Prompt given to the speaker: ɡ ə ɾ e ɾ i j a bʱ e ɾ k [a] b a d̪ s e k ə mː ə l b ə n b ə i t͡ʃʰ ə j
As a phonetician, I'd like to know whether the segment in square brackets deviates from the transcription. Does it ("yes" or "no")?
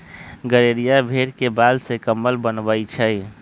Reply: yes